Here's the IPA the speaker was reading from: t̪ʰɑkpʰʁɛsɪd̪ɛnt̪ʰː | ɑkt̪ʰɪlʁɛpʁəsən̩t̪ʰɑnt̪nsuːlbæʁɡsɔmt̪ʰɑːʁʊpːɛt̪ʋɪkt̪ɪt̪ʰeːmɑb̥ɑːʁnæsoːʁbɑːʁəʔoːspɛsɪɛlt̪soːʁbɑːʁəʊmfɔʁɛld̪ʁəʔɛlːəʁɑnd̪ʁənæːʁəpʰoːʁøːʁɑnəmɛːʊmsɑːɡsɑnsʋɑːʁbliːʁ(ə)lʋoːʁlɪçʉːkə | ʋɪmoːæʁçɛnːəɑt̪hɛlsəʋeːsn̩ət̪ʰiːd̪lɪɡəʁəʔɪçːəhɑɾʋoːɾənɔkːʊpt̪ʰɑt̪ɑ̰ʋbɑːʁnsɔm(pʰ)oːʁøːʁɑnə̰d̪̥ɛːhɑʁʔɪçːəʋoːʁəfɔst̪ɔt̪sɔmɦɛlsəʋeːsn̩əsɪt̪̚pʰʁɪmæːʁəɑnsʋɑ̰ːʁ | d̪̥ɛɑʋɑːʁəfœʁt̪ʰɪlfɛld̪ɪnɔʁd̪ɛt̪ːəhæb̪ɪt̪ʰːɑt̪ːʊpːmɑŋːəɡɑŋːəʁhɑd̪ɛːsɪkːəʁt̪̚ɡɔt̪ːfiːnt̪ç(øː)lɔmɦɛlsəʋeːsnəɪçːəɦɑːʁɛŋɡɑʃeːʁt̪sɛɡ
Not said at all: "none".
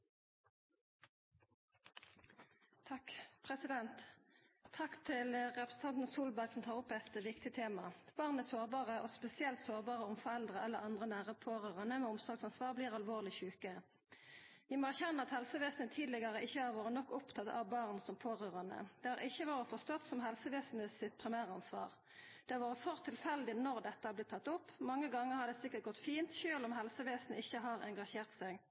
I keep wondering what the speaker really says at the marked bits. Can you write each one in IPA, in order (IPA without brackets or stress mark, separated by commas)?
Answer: ɑ, pʰ, øː